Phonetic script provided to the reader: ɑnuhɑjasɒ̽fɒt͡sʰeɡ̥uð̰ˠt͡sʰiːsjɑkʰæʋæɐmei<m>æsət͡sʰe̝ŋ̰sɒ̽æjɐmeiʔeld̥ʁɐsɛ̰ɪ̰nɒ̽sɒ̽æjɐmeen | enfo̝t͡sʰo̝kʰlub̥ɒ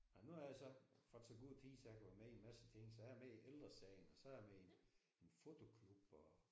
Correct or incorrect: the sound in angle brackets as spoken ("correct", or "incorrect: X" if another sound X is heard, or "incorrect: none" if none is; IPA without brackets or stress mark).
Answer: correct